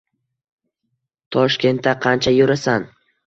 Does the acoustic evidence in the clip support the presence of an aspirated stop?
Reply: yes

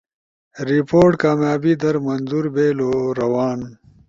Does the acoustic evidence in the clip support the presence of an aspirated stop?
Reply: no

